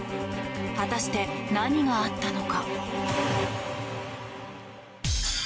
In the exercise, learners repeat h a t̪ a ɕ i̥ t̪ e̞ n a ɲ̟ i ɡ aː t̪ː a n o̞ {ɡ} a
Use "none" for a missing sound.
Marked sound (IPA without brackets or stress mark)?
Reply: k